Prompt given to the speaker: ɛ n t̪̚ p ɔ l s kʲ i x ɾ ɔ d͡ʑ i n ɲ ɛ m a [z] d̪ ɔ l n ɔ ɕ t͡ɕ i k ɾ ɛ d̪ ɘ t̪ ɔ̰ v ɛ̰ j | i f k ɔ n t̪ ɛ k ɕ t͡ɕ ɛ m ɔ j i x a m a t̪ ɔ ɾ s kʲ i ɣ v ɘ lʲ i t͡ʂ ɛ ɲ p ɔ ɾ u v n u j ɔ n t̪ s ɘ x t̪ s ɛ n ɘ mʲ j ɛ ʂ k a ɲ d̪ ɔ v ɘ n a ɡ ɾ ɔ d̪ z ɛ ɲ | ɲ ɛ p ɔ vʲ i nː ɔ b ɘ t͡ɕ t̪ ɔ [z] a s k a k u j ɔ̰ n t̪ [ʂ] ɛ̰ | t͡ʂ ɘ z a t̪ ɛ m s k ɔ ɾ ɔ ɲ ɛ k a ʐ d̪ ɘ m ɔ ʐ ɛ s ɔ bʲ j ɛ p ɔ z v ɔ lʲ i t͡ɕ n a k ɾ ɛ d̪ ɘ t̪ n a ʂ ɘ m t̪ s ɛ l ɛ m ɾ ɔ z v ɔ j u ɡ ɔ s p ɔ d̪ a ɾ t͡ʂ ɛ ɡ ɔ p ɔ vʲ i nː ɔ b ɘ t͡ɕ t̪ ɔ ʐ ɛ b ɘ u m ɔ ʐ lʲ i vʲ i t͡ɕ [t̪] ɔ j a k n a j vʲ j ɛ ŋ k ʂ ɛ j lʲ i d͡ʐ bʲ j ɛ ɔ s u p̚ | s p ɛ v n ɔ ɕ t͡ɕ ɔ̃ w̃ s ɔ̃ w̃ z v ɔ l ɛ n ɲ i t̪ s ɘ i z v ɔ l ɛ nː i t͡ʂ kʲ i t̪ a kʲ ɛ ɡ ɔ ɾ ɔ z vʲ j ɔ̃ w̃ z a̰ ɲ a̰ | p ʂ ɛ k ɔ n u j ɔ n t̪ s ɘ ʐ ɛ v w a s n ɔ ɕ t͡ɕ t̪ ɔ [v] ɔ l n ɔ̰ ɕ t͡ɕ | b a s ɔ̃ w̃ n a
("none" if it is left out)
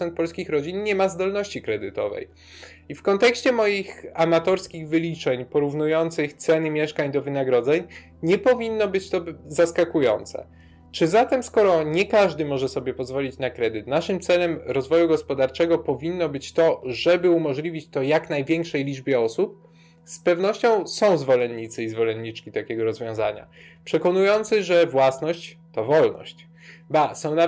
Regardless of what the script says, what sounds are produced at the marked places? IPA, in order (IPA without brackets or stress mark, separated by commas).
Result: z, z, s, t̪, v